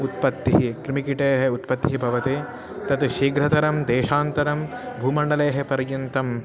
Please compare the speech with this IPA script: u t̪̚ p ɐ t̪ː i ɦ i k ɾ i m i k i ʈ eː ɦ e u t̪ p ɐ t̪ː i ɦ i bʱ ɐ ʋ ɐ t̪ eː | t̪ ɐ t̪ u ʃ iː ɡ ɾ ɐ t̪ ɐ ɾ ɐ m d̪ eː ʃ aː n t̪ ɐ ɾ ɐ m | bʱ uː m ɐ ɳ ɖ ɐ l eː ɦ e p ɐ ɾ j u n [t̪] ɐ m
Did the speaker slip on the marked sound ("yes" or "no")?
no